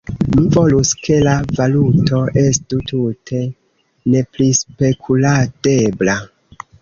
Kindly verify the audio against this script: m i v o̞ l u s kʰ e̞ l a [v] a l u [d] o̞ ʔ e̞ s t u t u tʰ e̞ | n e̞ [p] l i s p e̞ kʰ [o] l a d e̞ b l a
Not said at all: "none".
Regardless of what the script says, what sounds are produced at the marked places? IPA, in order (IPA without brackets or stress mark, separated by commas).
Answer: v, t, p, u